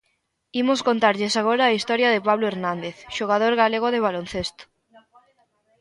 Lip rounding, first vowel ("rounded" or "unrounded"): unrounded